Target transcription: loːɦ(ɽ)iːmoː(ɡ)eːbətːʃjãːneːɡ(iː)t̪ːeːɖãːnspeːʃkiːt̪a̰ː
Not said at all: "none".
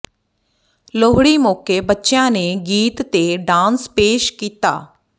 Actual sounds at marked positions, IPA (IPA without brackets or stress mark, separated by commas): ɽ, k, iː